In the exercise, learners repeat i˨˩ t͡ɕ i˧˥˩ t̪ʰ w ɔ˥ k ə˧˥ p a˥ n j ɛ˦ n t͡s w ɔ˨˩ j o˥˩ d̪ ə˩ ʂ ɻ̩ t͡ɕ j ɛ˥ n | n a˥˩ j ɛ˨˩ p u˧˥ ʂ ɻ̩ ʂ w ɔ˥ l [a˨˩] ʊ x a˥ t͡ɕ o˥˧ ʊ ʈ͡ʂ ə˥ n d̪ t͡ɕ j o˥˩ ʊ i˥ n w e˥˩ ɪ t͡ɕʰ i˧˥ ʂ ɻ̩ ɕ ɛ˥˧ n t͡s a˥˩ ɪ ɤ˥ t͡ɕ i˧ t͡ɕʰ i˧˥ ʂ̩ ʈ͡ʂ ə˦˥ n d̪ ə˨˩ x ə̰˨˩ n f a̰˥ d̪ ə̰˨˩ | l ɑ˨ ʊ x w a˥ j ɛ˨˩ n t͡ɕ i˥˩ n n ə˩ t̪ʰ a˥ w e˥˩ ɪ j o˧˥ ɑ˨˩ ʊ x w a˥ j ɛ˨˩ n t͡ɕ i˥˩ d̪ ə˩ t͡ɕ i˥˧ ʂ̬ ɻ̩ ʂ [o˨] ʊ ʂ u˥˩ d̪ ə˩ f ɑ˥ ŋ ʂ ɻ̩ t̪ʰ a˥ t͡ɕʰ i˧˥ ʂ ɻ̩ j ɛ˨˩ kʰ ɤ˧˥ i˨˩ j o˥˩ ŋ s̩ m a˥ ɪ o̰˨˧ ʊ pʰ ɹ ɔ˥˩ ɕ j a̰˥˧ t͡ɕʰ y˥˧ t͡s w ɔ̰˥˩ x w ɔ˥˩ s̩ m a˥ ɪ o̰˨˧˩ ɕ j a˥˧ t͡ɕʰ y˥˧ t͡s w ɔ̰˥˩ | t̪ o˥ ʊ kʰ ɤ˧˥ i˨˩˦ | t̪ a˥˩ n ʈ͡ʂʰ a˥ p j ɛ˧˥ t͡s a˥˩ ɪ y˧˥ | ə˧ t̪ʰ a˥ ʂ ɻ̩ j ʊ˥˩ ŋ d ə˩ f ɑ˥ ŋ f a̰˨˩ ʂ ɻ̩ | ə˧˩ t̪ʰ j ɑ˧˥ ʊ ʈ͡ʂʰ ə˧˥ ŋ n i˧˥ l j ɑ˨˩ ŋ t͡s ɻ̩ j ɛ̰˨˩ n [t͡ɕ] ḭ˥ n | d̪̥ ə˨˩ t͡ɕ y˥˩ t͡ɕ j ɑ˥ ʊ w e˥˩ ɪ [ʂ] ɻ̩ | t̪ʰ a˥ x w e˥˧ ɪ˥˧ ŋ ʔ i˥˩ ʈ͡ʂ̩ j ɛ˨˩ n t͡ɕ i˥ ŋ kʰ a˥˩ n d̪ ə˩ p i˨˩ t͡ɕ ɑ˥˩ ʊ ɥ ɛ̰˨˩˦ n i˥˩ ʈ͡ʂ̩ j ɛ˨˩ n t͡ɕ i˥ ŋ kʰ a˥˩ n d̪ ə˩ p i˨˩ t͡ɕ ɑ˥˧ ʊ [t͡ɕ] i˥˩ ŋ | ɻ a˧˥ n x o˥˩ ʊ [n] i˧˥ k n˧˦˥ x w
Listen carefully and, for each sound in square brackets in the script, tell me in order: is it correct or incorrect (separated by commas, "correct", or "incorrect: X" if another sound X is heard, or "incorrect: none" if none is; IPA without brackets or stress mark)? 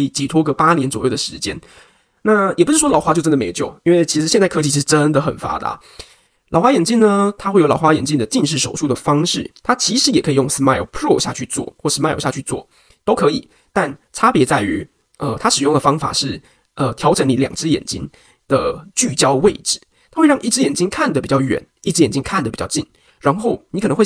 incorrect: ɑ˨˩, correct, correct, incorrect: ʈ͡ʂ, correct, correct